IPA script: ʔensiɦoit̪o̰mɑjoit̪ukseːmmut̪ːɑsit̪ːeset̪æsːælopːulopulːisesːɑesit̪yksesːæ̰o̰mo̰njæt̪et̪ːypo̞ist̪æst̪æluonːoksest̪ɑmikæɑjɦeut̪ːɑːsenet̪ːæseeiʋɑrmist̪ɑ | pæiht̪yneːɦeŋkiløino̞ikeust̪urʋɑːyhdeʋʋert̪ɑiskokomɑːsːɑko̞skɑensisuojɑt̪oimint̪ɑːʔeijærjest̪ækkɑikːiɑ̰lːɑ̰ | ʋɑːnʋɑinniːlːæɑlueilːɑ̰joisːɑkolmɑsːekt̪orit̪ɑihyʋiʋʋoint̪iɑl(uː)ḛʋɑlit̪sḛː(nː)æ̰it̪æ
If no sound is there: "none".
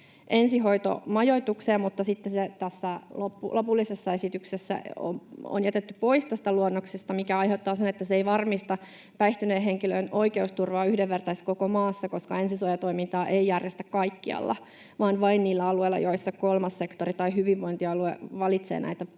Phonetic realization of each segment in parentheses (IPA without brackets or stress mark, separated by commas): u, n